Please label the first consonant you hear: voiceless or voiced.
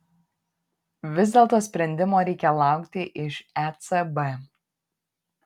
voiced